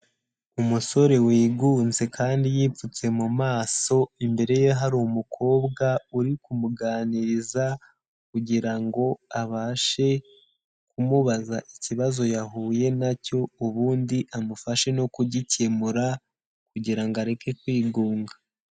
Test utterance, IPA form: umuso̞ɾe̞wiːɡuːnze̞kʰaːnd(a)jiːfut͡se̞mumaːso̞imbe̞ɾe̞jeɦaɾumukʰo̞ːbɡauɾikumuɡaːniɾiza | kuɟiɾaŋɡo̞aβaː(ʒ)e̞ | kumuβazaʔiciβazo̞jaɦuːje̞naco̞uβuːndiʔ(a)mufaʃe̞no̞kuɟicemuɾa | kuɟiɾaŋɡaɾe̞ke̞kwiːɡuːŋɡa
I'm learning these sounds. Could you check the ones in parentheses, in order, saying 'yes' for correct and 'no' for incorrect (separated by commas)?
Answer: no, no, yes